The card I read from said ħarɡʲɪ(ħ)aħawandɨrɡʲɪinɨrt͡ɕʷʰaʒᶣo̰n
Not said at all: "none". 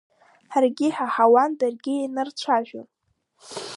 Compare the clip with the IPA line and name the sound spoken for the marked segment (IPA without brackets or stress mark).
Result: ħ